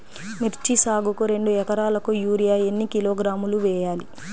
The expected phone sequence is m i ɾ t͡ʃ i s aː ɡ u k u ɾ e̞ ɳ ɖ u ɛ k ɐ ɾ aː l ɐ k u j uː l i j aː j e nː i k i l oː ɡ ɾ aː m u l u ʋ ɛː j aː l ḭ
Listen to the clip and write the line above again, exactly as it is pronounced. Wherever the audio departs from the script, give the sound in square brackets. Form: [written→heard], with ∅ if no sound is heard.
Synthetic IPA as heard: m i ɾ t͡ʃ i s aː ɡ u k u ɾ e̞ ɳ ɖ u ɛ k ɐ ɾ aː l ɐ k u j uː [l→ɾ] i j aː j e nː i k i l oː ɡ ɾ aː m u l u ʋ ɛː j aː l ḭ